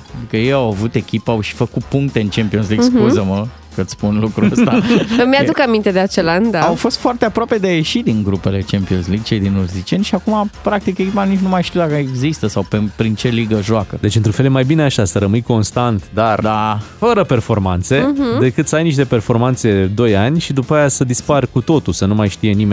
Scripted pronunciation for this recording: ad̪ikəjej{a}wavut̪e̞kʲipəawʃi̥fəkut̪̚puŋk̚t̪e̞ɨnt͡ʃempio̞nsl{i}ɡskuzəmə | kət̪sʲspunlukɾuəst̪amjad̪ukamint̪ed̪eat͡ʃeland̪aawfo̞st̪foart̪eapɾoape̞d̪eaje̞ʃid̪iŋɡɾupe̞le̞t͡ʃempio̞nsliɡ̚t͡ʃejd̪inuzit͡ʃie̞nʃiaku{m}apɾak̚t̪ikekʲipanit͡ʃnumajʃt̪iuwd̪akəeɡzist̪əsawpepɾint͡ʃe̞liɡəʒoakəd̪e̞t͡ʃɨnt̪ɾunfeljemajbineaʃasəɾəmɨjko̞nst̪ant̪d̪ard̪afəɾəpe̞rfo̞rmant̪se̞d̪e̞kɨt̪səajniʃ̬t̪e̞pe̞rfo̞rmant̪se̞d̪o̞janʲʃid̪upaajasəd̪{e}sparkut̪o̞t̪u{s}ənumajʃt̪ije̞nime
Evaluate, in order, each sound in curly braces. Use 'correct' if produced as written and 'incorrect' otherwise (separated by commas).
correct, correct, correct, incorrect, correct